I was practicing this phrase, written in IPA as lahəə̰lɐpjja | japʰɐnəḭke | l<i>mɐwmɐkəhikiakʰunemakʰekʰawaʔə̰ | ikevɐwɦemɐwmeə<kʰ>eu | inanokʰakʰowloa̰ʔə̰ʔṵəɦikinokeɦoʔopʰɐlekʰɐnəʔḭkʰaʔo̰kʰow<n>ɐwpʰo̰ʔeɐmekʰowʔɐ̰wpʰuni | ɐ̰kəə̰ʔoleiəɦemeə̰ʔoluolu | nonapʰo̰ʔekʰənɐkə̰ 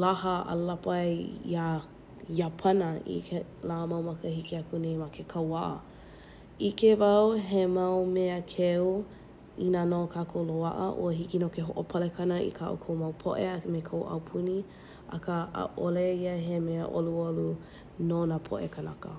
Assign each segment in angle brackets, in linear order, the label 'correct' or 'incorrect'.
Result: incorrect: a, correct, incorrect: m

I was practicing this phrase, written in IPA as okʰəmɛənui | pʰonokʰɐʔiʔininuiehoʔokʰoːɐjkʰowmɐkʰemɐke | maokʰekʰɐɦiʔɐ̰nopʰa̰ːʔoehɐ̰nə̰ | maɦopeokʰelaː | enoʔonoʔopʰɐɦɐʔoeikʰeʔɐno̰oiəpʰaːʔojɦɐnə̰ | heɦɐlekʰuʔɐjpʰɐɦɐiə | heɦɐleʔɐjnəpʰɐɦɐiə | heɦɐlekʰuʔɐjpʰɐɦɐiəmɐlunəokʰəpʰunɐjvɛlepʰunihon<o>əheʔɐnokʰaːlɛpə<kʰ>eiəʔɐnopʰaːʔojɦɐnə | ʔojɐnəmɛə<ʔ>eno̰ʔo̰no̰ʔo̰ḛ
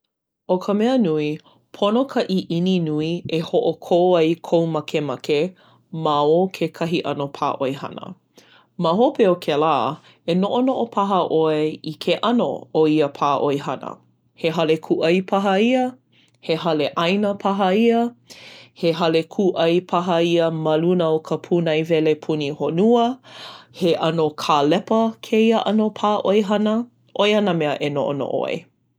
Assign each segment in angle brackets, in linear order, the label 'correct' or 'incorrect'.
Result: incorrect: u, correct, correct

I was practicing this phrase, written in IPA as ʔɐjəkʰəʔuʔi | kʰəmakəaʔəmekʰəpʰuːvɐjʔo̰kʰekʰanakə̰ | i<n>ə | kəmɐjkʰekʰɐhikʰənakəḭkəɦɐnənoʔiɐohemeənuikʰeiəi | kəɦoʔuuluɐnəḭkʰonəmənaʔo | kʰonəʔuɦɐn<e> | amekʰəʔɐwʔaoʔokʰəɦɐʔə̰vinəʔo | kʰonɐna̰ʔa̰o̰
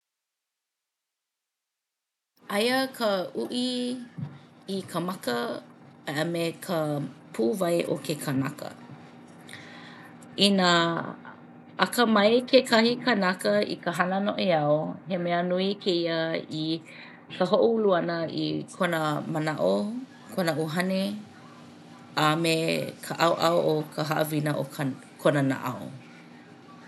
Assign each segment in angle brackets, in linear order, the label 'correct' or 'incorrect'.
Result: correct, correct

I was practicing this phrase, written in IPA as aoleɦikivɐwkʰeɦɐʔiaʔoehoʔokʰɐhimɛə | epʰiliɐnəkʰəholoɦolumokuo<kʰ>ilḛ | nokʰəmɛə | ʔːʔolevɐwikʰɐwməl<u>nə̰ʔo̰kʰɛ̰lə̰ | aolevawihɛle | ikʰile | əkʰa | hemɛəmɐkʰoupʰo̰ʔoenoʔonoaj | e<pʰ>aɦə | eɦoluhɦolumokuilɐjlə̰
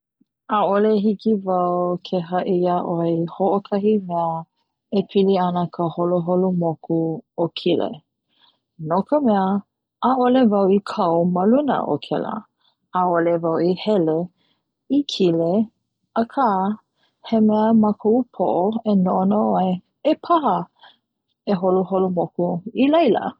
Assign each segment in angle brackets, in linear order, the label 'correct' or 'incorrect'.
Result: correct, correct, correct

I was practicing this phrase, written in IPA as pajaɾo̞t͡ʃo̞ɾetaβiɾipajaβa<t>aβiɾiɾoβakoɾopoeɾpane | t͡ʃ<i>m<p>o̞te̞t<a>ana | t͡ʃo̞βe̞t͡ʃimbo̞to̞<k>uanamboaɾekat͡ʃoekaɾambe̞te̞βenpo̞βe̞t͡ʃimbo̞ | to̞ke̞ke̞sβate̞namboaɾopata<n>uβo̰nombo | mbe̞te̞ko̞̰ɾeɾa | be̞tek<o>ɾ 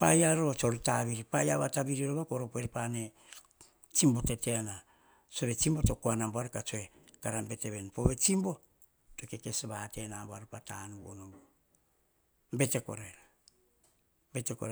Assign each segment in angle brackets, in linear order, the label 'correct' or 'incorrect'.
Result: correct, correct, incorrect: b, incorrect: e, correct, correct, correct

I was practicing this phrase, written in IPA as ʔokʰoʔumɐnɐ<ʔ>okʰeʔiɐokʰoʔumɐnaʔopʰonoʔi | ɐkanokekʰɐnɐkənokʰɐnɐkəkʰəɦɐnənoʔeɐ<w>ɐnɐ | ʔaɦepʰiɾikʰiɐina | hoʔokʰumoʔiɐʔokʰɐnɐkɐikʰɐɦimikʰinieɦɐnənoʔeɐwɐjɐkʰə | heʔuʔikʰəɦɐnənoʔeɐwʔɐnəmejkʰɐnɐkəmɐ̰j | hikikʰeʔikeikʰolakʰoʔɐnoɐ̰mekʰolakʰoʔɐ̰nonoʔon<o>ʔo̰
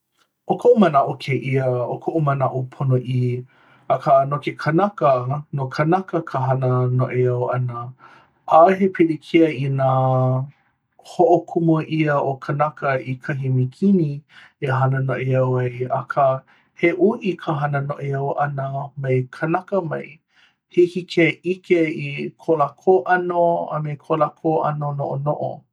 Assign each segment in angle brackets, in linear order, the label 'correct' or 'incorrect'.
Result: correct, correct, correct

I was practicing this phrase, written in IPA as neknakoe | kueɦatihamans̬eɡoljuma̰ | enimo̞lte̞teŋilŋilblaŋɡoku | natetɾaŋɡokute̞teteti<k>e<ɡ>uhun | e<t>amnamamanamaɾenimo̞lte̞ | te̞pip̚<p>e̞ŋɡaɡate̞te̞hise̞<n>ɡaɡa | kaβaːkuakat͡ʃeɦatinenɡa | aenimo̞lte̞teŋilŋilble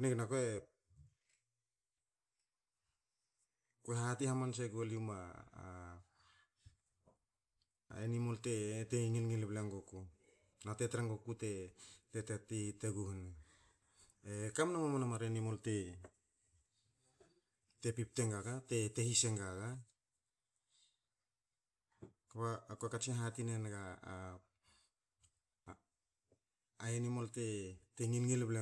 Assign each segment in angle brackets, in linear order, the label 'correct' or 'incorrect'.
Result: incorrect: t, correct, incorrect: k, incorrect: t, incorrect: ŋ

